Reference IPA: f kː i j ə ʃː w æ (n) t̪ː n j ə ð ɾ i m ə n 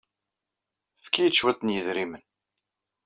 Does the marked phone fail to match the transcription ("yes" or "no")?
yes